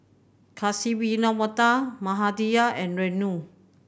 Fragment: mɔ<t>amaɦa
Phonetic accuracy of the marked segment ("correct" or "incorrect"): correct